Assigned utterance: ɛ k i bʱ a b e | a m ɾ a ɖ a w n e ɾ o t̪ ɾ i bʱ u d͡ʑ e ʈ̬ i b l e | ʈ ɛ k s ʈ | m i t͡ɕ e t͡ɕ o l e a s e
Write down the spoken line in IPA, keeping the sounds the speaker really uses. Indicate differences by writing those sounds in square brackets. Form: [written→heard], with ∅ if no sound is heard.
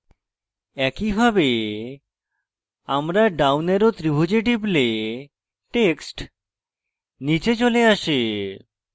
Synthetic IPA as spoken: ɛ k i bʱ a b e | a m ɾ a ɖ a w n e ɾ o t̪ ɾ i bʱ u d͡ʑ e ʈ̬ i b l e | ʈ [ɛ→e] k s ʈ | [m→n] i t͡ɕ e t͡ɕ o l e a [s→ʃ] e